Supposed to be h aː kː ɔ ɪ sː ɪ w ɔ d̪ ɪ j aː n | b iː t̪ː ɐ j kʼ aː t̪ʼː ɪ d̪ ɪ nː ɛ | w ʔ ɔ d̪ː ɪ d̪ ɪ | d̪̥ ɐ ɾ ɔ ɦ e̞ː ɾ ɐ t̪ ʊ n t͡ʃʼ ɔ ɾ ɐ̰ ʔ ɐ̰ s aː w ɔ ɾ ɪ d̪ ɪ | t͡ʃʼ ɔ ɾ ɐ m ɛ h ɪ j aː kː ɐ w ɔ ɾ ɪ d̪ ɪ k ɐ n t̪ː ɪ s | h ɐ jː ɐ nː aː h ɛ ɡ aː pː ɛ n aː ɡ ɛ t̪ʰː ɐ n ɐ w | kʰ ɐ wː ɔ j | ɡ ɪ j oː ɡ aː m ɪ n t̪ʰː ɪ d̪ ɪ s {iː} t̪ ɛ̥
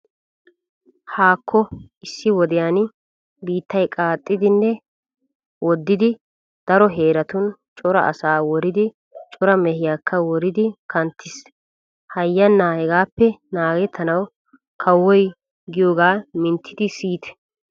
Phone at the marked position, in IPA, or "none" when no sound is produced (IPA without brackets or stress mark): iː